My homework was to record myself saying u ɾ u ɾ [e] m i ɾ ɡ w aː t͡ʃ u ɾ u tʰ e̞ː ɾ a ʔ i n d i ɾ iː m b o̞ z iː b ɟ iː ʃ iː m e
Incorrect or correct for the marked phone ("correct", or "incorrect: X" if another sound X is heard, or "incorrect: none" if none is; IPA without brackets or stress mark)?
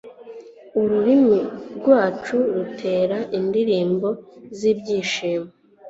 incorrect: i